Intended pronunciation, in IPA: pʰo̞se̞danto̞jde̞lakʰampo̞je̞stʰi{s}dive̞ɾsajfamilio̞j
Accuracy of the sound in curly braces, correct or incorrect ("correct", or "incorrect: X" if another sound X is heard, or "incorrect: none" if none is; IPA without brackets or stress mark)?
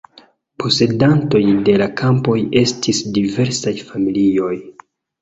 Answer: correct